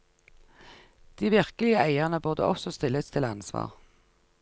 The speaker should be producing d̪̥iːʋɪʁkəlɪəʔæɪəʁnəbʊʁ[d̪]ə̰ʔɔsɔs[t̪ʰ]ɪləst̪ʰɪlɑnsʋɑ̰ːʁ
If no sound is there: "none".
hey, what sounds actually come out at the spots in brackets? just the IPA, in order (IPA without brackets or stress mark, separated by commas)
d̪, t̪